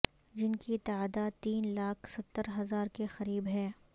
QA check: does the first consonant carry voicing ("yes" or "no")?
yes